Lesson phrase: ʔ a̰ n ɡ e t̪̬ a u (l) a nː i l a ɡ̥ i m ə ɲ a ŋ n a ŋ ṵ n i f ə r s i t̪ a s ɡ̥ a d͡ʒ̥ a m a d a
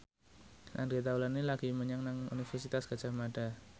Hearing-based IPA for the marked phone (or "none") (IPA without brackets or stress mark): l